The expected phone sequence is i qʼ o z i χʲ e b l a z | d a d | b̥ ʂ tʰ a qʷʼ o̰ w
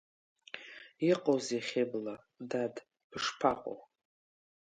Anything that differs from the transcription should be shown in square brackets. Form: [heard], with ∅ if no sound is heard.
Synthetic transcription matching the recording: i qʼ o z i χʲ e b l a [∅] | d a d | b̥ ʂ [pʰ] a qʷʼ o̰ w